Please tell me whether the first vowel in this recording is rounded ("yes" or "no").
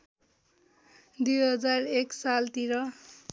yes